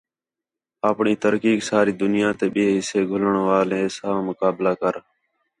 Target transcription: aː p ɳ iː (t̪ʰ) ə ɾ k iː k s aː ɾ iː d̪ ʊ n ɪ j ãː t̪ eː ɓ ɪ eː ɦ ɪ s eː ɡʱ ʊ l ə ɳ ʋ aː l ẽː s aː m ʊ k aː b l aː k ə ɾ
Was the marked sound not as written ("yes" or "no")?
yes